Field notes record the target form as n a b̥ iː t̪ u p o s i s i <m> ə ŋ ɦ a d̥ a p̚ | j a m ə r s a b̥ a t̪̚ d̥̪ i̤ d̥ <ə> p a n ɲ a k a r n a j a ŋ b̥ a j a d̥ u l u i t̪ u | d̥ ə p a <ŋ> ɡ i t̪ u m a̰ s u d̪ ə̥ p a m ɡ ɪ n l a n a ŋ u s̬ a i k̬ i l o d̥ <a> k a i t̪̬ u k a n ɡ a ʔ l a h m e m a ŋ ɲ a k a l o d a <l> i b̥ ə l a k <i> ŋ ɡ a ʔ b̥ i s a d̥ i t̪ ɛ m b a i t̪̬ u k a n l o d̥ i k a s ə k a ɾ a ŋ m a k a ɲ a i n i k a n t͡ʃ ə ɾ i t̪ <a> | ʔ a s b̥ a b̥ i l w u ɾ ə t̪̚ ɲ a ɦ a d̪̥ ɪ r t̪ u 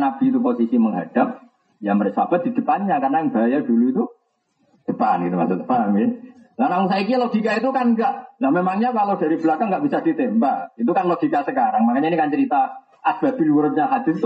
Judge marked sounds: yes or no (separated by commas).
yes, yes, no, no, no, no, yes